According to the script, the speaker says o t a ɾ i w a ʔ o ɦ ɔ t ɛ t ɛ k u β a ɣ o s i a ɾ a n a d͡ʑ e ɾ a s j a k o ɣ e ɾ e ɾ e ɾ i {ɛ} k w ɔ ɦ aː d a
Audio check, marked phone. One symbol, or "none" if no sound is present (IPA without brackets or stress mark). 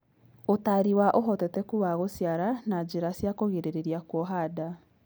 a